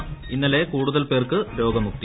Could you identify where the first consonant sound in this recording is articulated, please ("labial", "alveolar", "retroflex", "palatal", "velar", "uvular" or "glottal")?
alveolar